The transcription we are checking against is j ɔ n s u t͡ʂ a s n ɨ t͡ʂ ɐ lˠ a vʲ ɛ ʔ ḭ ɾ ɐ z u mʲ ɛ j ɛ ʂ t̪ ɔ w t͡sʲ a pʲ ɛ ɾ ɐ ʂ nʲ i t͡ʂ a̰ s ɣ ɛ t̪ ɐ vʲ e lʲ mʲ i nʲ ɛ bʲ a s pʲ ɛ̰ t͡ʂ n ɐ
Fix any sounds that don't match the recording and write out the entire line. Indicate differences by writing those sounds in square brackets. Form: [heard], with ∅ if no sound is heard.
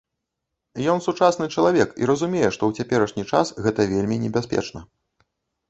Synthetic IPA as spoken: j ɔ n s u t͡ʂ a s n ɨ t͡ʂ ɐ lˠ a vʲ ɛ [k] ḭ ɾ ɐ z u mʲ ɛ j ɛ ʂ t̪ ɔ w t͡sʲ a pʲ ɛ ɾ ɐ ʂ nʲ i t͡ʂ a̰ s ɣ ɛ t̪ ɐ vʲ e lʲ mʲ i nʲ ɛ bʲ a s pʲ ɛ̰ t͡ʂ n ɐ